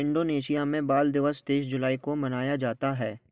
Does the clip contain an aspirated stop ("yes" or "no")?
no